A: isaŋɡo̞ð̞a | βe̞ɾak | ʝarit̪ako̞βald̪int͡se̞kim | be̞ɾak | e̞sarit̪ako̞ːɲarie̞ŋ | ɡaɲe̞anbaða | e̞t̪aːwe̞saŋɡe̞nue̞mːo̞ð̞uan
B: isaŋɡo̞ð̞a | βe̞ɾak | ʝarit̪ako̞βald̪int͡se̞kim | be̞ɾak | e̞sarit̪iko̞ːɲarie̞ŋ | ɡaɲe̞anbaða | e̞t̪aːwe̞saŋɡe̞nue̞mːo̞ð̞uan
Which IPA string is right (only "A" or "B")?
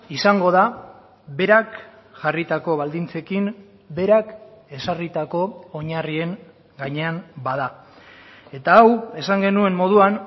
A